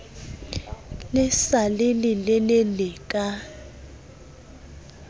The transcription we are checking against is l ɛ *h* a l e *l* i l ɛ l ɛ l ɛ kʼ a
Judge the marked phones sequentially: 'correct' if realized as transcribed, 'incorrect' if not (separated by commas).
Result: incorrect, correct